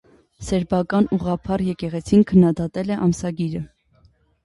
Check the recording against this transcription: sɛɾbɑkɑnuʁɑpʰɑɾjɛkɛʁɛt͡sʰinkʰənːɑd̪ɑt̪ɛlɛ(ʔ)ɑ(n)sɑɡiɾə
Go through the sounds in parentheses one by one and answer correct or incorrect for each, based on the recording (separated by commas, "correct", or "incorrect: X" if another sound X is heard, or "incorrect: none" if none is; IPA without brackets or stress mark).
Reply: correct, incorrect: m